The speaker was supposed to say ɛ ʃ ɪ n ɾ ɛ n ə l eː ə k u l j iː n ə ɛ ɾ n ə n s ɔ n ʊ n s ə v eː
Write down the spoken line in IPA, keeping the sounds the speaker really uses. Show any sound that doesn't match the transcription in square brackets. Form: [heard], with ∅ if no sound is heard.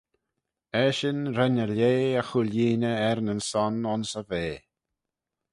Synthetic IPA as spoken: ɛ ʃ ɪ n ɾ ɛ n ə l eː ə [x] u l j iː n ə ɛ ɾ n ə n s ɔ n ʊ n s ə v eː